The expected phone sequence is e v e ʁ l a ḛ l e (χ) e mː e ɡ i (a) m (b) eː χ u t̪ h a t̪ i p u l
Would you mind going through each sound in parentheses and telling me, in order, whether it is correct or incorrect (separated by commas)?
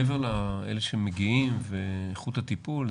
incorrect, incorrect, incorrect